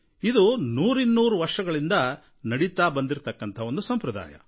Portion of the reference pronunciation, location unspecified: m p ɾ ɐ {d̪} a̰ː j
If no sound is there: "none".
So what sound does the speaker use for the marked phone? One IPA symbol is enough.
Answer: d̪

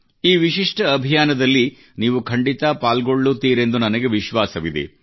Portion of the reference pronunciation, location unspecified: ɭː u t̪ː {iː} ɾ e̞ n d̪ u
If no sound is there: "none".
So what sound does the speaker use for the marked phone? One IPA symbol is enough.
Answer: iː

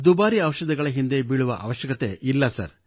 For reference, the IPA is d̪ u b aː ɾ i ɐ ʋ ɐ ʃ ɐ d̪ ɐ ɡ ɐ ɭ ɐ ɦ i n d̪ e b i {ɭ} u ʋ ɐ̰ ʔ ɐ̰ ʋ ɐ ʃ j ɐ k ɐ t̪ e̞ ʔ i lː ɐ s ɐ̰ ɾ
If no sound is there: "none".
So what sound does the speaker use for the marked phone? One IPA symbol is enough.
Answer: ɭ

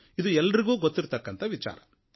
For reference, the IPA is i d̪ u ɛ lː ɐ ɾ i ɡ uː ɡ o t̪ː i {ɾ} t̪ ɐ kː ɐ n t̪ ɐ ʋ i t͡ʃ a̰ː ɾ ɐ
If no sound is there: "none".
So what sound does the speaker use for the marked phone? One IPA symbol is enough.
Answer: ɾ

